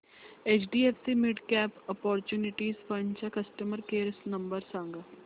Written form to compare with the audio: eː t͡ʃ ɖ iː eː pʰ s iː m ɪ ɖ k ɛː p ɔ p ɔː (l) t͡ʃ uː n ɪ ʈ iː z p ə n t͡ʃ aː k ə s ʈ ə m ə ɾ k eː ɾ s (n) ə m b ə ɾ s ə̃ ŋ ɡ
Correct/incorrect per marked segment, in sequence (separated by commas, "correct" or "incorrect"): incorrect, correct